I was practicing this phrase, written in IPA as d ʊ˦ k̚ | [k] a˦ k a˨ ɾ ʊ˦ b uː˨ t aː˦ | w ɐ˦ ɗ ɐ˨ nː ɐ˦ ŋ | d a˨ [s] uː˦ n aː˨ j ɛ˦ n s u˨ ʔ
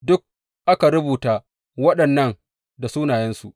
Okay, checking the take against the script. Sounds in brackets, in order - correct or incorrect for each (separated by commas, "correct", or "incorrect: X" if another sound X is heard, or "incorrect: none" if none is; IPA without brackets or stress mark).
incorrect: ʔ, correct